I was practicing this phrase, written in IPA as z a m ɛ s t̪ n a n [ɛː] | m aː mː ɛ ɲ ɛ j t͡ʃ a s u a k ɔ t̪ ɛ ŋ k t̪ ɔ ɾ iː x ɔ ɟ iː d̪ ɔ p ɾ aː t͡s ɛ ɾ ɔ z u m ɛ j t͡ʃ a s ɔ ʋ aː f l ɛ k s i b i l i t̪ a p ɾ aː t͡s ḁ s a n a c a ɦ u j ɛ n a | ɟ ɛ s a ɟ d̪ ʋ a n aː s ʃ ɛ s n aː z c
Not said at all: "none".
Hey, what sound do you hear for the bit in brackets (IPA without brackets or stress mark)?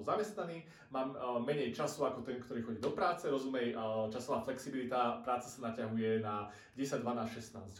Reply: iː